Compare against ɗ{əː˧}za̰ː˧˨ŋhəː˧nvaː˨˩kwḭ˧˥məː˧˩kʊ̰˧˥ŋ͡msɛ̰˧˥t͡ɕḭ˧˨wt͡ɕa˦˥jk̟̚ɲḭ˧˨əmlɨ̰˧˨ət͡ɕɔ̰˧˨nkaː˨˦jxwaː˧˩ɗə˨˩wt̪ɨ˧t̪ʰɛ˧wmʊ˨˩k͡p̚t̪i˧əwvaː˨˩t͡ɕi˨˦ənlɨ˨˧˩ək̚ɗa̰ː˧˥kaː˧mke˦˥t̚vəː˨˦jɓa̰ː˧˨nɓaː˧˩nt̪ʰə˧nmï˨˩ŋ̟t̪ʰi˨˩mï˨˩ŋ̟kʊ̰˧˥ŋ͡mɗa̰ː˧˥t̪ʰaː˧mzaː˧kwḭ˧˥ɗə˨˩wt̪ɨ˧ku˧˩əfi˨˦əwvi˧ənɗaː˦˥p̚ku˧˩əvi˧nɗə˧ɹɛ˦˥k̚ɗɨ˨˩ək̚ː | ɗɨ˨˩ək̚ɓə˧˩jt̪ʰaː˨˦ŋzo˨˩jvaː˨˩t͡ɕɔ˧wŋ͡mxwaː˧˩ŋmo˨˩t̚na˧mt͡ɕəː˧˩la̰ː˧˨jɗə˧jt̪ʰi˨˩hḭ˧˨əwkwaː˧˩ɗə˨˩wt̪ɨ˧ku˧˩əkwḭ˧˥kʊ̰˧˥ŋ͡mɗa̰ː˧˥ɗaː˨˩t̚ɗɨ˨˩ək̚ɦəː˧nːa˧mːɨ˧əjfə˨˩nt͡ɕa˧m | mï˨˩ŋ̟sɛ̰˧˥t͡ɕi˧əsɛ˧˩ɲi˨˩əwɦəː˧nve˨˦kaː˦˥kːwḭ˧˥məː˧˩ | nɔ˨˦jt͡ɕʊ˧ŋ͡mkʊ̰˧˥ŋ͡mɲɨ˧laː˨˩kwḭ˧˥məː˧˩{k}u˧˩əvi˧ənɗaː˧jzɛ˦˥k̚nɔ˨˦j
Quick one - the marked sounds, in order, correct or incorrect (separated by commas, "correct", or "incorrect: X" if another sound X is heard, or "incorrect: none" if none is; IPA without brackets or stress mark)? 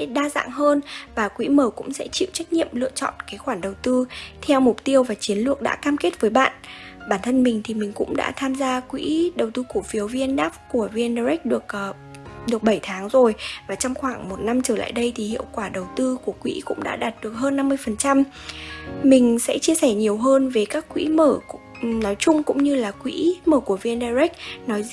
incorrect: aː˧, correct